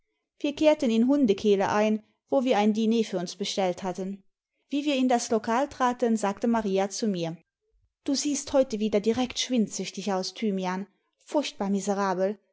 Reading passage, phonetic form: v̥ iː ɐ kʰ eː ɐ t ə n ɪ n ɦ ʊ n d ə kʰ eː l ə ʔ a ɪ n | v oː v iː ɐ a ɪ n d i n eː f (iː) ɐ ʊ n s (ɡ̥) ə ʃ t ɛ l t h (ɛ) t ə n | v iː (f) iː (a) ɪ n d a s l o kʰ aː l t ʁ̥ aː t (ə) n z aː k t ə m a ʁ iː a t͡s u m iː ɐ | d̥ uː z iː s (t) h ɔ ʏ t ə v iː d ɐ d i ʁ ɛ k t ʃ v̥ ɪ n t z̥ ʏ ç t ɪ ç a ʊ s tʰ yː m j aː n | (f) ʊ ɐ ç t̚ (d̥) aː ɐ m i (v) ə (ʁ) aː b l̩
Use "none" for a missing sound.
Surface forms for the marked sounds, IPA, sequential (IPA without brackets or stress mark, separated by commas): yː, b̥, a, v, ɐ, ə, t, f, b̥, z, ʁ